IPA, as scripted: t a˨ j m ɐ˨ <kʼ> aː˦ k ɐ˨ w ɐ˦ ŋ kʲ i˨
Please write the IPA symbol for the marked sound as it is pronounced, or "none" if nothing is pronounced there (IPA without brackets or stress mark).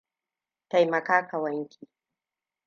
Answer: k